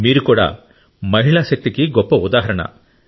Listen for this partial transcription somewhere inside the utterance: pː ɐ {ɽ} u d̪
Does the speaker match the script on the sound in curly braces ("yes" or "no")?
no